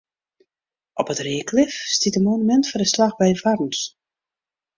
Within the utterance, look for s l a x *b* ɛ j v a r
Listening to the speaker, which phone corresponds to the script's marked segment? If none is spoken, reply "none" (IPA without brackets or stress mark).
b